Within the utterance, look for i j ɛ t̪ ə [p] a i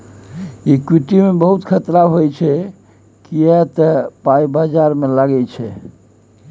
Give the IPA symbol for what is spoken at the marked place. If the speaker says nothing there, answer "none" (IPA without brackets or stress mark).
p